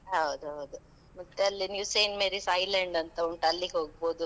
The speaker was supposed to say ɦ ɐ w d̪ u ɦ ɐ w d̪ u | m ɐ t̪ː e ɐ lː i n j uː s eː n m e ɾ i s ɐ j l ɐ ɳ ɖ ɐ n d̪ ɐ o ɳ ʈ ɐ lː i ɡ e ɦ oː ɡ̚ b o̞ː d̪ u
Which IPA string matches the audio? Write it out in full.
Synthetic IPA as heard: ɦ ɐ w d̪ u ɦ ɐ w d̪ u | m ɐ t̪ː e ɐ lː i n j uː s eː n m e ɾ i s ɐ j l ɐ ɳ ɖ ɐ n t̪ ɐ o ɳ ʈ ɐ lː i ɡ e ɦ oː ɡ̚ b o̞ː d̪ u